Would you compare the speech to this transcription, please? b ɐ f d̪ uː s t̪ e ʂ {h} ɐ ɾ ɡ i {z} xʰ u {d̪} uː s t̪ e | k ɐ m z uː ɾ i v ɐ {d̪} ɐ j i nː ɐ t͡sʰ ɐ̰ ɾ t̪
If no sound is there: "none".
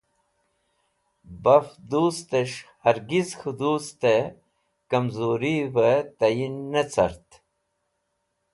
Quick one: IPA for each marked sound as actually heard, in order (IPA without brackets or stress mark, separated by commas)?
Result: h, z, d̪, t̪